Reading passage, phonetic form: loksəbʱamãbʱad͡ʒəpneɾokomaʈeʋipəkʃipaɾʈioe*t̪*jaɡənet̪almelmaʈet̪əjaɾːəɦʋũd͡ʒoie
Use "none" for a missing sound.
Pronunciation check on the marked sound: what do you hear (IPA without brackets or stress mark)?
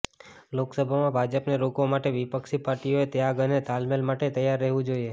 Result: t̪